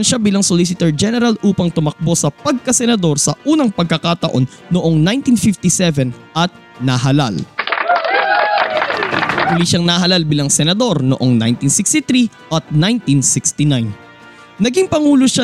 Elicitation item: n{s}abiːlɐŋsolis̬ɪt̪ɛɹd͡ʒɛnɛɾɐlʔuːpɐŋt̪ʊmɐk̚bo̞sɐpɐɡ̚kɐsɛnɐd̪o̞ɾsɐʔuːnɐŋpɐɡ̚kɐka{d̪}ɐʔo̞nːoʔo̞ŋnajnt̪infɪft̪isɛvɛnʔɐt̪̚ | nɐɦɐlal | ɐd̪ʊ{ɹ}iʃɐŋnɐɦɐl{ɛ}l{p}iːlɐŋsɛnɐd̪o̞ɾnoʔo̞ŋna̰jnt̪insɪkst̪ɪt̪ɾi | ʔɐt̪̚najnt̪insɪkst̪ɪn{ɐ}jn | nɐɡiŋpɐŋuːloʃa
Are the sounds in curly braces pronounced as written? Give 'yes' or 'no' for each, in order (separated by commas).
no, no, no, no, no, no